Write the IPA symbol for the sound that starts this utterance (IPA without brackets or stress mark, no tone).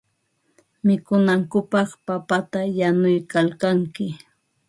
m